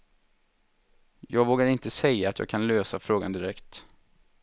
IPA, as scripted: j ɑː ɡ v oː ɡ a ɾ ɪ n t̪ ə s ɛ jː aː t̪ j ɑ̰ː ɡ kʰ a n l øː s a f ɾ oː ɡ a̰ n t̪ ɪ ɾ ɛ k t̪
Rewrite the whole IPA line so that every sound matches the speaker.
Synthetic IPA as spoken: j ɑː ɡ v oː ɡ a ɾ ɪ n t̪ ə s ɛ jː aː t̪ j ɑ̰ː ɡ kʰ a n l øː s a f ɾ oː ɡ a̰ n d̪ ɪ ɾ ɛ k t̪